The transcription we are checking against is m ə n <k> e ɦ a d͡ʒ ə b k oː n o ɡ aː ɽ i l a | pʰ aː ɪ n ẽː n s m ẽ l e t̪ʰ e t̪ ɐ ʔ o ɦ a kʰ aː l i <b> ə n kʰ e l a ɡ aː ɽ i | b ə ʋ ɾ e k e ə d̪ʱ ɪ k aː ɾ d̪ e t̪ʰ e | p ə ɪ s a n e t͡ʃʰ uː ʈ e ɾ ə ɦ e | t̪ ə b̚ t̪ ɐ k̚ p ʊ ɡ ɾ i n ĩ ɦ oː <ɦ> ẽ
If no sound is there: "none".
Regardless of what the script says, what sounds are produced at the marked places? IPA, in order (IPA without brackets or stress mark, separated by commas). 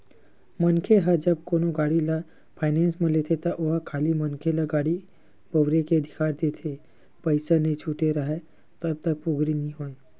kʰ, m, none